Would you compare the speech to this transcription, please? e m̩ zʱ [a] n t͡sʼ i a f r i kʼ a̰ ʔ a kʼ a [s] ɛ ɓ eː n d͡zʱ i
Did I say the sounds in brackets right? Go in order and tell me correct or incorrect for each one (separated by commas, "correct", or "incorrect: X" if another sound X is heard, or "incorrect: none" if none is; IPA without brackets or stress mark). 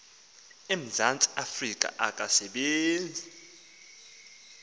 correct, correct